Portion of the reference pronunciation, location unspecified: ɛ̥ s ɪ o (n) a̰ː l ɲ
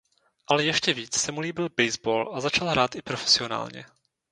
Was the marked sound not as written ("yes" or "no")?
no